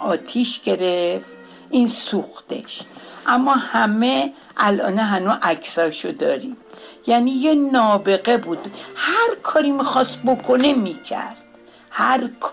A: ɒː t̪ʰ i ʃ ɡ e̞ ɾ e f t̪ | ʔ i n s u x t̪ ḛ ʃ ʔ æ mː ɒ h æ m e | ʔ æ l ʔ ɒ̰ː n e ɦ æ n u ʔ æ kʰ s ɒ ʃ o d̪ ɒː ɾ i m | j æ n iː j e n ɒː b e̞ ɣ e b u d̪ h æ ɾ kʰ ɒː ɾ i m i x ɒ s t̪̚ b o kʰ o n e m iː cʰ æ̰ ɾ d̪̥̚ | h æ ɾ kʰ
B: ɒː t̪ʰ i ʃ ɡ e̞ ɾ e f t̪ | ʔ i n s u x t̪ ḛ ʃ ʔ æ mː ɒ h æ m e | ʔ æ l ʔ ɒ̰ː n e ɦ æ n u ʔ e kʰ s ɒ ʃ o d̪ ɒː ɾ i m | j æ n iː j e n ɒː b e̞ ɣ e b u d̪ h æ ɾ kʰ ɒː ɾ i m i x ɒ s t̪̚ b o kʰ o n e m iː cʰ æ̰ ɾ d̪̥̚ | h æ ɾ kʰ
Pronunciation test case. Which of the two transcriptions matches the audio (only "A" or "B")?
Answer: A